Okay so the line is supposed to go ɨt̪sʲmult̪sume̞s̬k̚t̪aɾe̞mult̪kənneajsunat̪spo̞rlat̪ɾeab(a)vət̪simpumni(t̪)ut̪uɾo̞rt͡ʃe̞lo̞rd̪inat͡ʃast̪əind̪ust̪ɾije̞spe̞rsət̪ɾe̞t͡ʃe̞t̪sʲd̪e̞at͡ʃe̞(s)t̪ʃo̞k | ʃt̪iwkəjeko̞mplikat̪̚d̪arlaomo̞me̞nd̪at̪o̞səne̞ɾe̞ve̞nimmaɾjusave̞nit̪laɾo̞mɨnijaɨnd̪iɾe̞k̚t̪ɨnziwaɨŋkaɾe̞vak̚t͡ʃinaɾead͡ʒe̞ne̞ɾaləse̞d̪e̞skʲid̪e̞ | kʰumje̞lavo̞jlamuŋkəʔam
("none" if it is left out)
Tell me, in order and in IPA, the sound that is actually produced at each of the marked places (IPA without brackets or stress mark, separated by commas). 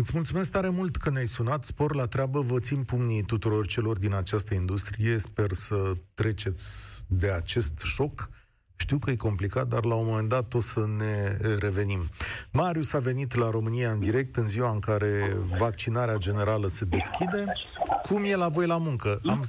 ə, t̪, s